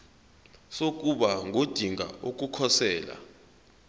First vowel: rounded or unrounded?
rounded